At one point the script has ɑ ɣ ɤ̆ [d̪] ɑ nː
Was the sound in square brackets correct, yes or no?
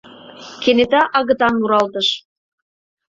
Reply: no